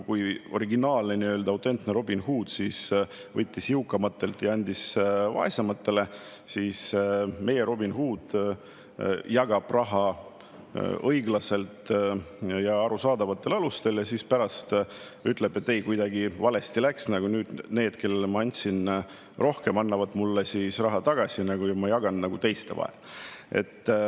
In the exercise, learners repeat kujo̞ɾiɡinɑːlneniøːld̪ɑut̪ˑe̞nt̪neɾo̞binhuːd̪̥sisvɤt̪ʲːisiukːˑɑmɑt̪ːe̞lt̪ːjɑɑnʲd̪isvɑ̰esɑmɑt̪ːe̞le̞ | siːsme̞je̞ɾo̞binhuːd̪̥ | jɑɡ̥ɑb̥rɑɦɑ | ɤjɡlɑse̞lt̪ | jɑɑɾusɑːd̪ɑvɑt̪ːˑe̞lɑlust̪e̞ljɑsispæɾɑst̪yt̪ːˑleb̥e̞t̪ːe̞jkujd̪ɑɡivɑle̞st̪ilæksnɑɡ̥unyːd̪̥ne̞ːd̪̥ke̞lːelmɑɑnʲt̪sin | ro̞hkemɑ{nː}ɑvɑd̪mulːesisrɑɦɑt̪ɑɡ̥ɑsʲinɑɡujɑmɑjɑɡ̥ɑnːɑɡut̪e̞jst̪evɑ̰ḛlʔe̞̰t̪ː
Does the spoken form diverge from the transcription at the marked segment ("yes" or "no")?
no